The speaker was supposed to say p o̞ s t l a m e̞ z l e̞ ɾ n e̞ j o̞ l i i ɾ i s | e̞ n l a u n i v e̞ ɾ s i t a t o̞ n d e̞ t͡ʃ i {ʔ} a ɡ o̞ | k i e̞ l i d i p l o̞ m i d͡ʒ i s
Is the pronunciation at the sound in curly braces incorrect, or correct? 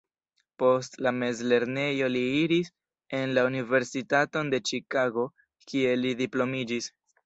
incorrect